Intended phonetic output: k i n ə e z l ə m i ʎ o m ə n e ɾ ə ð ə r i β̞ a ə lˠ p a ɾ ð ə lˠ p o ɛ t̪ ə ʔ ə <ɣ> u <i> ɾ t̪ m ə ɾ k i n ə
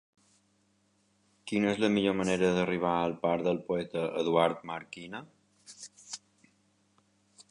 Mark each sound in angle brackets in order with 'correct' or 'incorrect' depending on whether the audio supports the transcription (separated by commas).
incorrect, incorrect